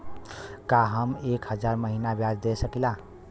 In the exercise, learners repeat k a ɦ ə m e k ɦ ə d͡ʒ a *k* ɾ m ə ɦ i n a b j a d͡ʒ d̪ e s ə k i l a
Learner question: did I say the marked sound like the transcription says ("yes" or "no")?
no